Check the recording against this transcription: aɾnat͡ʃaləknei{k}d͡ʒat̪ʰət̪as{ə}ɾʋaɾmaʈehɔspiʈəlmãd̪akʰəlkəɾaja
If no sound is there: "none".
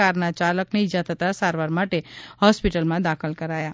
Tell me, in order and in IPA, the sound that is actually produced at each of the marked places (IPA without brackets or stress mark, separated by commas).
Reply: none, a